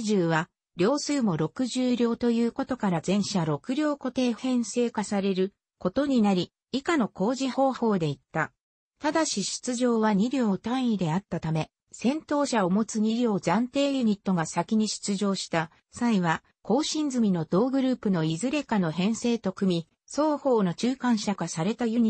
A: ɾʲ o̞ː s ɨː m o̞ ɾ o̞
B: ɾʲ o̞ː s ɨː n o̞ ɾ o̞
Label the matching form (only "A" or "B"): A